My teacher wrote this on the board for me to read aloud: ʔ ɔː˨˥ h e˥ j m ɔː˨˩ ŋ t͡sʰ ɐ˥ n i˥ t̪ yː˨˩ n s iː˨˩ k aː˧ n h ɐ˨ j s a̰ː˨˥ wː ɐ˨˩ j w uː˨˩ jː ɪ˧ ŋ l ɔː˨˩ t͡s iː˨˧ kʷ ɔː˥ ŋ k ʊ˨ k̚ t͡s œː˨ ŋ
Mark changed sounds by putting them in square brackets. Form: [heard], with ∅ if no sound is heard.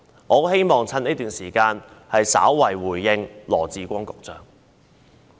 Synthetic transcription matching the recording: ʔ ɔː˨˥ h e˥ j m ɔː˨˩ ŋ t͡sʰ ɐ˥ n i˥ t̪ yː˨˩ n s iː˨˩ k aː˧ n h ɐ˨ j s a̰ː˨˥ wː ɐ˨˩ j w uː˨˩ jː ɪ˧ ŋ l ɔː˨˩ t͡s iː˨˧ kʷ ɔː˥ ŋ k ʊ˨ k̚ t͡s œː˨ ŋ